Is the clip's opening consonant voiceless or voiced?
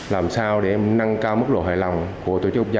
voiced